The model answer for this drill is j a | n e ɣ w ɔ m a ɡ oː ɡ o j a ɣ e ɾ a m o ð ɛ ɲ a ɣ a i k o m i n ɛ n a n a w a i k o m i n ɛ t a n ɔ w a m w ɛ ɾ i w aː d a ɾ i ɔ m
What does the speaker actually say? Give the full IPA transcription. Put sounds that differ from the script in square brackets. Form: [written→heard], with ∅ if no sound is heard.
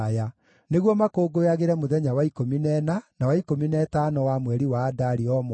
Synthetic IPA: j a | n e ɣ w ɔ m a [ɡ→k] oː ɡ o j a ɣ e ɾ [a→ɛ] m o ð ɛ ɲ a [ɣ→w] a i k o m i n ɛ n a n a w a i k o m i n ɛ t a n ɔ w a m w ɛ ɾ i w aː d a ɾ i ɔ m